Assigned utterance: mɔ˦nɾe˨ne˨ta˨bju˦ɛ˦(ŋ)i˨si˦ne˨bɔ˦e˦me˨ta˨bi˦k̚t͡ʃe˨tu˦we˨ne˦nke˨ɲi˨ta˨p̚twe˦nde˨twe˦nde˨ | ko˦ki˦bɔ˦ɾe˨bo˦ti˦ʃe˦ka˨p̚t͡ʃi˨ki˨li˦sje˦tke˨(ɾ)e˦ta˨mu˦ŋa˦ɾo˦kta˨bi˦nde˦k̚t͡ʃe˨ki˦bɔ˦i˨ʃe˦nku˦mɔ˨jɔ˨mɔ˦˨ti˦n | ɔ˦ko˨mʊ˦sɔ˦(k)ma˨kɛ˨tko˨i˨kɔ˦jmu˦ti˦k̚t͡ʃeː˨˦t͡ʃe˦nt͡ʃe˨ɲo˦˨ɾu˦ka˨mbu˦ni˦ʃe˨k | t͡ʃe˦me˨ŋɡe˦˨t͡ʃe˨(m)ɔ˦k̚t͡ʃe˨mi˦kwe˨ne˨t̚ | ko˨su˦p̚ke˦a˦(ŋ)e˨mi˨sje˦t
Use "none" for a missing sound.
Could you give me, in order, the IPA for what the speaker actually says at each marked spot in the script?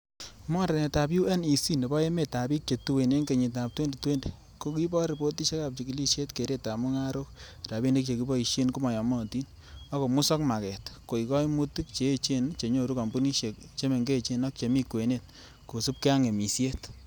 n, ɾ, k, n, ŋ

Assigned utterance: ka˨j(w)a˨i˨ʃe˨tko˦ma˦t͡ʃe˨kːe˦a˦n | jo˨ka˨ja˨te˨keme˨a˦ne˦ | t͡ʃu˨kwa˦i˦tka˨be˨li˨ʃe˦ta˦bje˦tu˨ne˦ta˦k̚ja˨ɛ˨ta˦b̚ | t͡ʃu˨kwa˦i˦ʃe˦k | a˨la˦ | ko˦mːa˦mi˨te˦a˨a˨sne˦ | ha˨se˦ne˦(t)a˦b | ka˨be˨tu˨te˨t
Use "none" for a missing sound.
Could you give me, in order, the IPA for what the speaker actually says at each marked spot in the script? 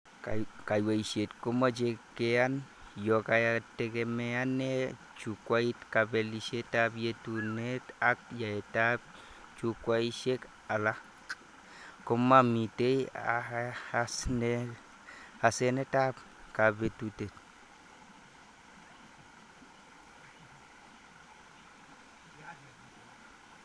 w, t

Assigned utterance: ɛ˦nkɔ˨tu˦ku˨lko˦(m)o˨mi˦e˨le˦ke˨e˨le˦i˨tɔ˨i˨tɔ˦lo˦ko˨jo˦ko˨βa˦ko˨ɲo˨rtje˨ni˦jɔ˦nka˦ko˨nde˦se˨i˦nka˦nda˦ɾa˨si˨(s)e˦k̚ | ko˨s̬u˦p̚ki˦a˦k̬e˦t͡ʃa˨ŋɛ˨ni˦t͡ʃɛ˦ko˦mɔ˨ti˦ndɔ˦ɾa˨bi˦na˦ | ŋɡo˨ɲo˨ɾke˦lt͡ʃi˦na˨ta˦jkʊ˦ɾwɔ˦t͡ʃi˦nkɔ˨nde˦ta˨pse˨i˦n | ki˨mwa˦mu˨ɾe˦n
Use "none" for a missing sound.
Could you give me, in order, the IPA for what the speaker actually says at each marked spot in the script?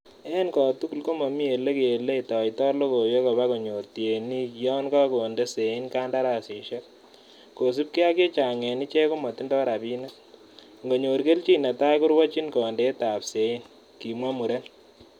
m, ʃ

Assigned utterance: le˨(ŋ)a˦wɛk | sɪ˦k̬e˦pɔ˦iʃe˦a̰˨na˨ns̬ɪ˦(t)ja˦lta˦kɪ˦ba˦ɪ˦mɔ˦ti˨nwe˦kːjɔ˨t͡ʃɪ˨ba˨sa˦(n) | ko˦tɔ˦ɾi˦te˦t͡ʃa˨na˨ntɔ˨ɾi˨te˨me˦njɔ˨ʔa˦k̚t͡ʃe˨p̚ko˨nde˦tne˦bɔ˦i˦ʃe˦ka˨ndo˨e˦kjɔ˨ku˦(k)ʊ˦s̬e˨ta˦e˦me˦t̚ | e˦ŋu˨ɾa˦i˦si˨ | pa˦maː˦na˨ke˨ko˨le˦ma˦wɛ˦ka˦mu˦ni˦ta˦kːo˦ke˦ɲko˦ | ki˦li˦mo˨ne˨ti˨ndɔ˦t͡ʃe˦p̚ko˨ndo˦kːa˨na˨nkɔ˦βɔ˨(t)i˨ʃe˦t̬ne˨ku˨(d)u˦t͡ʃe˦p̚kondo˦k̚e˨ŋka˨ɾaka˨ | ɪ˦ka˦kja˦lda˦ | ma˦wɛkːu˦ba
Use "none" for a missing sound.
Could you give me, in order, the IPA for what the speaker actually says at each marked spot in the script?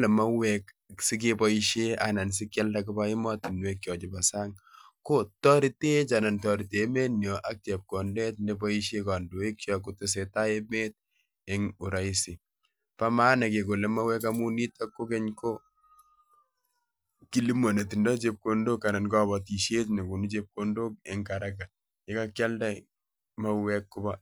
m, k, ŋ, t, t, n

